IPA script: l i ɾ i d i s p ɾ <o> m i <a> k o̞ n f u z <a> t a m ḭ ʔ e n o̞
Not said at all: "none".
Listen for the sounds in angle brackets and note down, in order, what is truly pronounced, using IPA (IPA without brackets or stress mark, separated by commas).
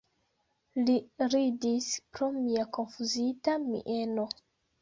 o, a, i